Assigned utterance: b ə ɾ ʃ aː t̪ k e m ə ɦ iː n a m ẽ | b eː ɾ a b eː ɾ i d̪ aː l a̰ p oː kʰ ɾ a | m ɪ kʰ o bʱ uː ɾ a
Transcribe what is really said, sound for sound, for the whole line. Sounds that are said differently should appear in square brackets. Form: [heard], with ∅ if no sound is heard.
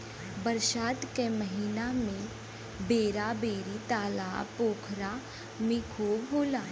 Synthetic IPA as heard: b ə ɾ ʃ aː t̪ k e m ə ɦ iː n a m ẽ | b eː ɾ a b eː ɾ i [t̪] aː l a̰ p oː kʰ ɾ a | m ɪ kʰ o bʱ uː [l] a